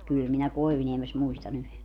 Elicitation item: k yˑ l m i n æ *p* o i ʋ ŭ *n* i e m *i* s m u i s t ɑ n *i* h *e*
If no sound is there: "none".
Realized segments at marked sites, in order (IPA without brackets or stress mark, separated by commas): k, n, e, y, e